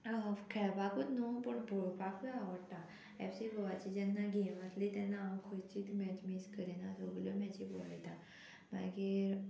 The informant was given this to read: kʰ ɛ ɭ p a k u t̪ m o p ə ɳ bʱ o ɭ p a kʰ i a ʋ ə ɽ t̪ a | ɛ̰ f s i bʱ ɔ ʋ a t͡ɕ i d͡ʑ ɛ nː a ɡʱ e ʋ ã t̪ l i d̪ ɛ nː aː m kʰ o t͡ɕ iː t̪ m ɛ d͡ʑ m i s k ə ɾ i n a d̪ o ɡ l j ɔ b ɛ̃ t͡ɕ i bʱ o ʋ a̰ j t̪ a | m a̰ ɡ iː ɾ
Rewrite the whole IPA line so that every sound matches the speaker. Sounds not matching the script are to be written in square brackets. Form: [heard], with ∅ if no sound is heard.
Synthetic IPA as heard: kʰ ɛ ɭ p a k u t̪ [n] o p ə ɳ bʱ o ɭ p a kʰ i a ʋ ə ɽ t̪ a | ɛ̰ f s i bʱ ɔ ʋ a t͡ɕ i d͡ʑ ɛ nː a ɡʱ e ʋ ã t̪ l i [t̪] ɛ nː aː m kʰ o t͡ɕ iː t̪ m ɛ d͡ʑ m i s k ə ɾ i n a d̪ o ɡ l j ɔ [m] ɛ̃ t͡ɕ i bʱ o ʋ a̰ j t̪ a | m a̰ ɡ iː ɾ